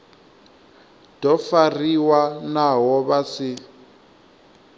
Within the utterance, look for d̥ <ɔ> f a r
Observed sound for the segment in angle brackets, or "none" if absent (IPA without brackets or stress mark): ɔ